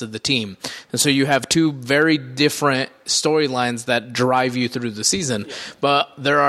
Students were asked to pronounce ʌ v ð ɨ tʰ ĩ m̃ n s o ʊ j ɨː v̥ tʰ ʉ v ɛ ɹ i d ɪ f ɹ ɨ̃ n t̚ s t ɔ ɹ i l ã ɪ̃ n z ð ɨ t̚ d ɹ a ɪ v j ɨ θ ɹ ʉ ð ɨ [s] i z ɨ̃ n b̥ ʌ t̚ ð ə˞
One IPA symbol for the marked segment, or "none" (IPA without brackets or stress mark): s